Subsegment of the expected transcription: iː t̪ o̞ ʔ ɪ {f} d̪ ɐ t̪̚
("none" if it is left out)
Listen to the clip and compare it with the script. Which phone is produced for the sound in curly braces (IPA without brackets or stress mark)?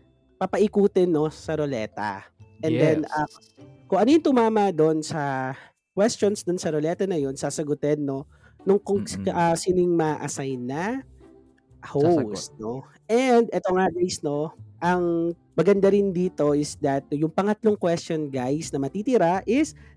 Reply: s